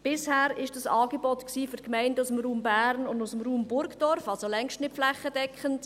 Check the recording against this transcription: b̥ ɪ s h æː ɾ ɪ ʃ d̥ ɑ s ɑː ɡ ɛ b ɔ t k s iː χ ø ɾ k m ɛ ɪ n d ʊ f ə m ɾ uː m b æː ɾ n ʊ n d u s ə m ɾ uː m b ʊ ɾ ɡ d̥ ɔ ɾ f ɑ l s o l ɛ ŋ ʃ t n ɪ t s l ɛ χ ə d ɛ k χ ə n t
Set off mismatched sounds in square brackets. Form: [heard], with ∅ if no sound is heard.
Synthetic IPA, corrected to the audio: b̥ ɪ s h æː ɾ ɪ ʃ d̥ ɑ s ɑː ɡ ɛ b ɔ t k s iː [f] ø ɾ k m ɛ ɪ n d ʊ [s] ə m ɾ uː m b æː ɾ n ʊ n d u s ə m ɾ uː m b ʊ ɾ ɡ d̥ ɔ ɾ f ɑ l s o l ɛ ŋ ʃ t n ɪ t [f] l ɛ χ ə d ɛ k χ ə n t